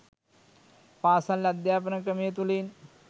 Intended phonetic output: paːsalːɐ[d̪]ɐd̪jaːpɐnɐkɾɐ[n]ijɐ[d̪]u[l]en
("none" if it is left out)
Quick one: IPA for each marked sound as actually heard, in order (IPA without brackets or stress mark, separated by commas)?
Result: none, m, t̪, l